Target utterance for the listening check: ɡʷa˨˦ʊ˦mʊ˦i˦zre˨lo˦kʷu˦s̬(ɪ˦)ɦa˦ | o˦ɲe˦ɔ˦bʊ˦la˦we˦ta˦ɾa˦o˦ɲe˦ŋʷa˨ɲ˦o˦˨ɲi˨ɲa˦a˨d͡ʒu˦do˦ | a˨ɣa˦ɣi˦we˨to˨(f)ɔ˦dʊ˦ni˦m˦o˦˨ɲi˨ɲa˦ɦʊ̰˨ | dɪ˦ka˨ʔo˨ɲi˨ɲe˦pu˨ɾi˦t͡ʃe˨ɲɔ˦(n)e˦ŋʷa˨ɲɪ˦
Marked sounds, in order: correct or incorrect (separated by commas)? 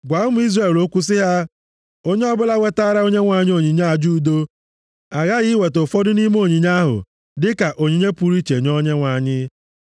correct, correct, incorrect